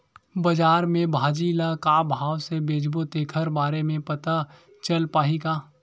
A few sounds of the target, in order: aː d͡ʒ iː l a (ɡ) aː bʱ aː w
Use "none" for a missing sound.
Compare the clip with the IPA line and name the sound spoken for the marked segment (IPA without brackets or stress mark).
k